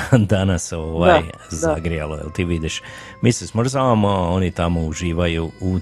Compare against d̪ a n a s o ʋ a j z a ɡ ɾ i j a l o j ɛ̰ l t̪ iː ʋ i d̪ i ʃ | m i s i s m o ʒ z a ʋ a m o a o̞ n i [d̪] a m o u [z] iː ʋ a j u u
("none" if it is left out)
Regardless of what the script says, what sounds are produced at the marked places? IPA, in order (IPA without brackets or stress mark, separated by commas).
t̪, ʒ